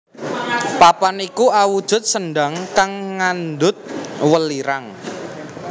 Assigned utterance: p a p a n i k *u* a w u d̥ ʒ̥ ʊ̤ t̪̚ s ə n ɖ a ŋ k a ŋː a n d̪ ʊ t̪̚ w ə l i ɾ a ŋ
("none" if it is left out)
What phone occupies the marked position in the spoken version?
u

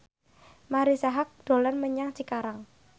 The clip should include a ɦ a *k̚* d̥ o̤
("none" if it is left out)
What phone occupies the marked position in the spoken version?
k̚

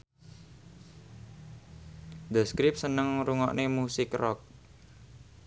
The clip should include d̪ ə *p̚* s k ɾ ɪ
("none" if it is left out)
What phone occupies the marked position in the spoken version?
none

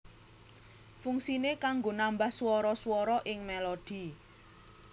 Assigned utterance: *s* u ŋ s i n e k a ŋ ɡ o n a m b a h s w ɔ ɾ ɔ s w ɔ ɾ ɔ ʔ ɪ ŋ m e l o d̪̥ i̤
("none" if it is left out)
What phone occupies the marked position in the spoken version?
f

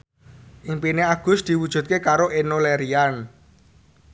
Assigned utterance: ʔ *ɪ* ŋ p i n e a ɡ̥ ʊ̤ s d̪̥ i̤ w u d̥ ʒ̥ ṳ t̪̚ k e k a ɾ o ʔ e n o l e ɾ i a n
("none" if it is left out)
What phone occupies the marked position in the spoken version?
i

